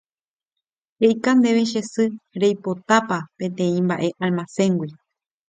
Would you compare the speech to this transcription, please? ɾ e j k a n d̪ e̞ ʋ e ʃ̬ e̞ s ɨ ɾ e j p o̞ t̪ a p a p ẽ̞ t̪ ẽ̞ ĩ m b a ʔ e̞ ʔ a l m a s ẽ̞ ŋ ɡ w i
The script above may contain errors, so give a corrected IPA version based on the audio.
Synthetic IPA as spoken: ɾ e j k a n d̪ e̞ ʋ e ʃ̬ e̞ s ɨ ɾ e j p o̞ t̪ a p a p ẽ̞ t̪ ẽ̞ ĩ m b a ʔ e̞ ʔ a l m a s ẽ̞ ŋ ɡ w i